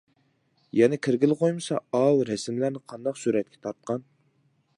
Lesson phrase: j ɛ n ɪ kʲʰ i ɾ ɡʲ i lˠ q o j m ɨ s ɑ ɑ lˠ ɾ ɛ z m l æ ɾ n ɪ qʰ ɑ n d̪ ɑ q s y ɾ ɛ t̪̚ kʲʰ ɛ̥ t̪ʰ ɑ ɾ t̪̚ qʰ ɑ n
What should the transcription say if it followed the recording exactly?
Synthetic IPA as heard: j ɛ n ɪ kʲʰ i ɾ ɡʲ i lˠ q o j m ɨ s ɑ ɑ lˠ ɾ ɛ s m l æ ɾ n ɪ qʰ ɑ n d̪ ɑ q s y ɾ ɛ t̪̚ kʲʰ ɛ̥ t̪ʰ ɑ ɾ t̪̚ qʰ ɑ n